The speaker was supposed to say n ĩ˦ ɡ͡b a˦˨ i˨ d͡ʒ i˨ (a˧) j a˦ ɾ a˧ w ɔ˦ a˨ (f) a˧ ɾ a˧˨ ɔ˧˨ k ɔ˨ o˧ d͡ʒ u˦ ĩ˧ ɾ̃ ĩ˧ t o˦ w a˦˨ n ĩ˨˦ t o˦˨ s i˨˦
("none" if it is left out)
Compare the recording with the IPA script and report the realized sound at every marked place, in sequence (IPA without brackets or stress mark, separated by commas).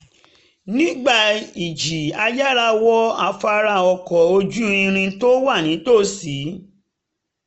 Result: a˧, f